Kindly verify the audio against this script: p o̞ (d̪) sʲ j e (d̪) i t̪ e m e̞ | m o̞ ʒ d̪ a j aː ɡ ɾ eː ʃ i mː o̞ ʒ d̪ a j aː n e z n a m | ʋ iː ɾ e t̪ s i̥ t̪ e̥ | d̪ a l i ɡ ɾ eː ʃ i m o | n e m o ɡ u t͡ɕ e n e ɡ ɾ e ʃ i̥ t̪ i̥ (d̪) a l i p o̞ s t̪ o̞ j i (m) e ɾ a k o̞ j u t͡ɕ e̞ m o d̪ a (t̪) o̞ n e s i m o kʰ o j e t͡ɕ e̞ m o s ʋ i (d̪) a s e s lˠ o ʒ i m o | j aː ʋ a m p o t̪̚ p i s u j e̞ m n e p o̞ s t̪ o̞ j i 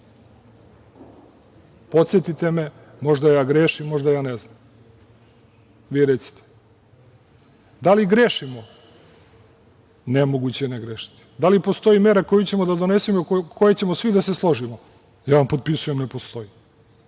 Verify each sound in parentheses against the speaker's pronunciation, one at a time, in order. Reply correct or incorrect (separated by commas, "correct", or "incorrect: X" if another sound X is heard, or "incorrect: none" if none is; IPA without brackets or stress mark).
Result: incorrect: t̪, incorrect: t̪, correct, correct, incorrect: d̪, correct